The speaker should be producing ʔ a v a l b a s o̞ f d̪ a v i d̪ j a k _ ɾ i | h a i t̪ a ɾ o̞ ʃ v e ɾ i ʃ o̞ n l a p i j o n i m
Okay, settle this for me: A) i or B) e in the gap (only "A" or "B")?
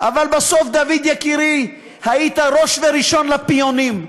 A